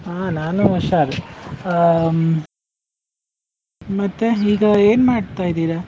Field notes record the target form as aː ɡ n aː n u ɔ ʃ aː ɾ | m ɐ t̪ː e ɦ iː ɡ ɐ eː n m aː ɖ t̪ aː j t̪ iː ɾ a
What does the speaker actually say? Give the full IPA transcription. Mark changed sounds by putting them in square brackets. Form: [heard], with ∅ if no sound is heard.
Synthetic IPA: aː [∅] n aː n u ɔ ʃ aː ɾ | m ɐ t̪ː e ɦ iː ɡ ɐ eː n m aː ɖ t̪ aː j [d̪] iː ɾ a